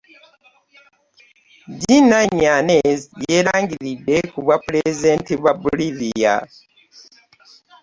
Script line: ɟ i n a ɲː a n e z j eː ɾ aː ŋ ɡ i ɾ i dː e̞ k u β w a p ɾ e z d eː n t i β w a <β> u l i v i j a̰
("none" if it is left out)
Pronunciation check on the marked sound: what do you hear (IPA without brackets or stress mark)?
b